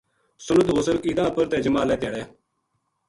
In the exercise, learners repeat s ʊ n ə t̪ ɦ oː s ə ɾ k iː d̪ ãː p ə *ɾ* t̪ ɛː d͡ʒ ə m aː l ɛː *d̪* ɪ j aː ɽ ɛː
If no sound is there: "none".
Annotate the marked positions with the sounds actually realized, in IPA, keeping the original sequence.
ɾ, t̪

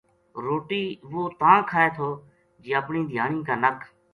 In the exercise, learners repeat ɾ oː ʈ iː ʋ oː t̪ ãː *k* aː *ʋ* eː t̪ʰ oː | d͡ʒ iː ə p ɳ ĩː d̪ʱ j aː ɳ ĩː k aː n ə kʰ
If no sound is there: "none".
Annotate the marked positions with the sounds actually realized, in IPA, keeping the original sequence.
kʰ, none

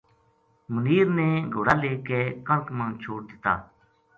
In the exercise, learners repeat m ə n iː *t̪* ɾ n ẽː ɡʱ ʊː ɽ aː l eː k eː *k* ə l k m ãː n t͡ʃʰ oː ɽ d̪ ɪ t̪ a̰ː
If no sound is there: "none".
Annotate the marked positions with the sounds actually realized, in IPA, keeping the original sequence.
none, k

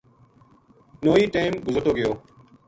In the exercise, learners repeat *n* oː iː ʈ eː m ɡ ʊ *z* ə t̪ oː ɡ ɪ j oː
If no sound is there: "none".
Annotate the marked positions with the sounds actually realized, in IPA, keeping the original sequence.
n, z

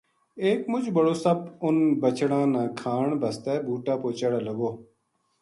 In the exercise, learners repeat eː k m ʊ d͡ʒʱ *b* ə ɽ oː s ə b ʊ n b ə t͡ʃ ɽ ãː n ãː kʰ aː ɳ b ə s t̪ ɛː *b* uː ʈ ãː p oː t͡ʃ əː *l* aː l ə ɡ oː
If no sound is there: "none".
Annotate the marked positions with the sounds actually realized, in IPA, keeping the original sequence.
b, b, ɽ

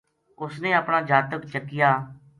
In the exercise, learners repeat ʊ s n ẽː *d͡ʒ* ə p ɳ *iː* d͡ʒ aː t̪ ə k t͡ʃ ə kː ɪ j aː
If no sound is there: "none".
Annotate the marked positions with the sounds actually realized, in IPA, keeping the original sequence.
none, aː

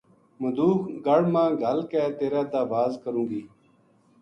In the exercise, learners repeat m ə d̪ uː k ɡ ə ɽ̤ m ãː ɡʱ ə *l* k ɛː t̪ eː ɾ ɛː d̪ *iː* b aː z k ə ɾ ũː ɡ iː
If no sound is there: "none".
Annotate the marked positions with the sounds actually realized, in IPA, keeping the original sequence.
l, aː

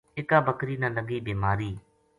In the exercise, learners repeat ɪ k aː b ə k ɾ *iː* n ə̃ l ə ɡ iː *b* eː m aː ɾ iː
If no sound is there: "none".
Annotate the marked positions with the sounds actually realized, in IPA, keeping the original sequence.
iː, b

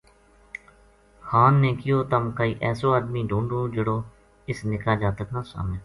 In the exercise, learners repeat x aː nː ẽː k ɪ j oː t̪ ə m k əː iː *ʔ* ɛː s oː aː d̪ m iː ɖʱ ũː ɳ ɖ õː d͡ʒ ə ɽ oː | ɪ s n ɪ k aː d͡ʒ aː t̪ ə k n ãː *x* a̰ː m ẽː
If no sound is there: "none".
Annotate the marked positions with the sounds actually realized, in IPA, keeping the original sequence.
ʔ, s

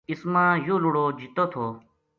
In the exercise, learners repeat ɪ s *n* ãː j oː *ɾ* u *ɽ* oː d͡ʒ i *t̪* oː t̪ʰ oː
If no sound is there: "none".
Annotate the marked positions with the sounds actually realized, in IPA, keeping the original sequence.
m, l, ɽ, t̪

